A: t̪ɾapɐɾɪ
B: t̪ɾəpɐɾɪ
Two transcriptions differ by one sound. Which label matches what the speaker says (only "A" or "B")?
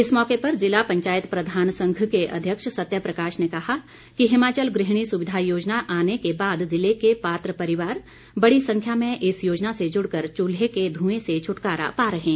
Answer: B